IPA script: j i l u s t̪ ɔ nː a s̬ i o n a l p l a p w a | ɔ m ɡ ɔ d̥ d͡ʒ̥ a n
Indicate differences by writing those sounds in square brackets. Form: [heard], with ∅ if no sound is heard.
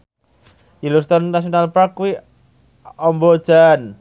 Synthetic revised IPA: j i l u s t̪ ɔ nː a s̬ i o n a l p [ɾ] a [k] w [i] | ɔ m [b] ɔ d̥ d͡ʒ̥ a n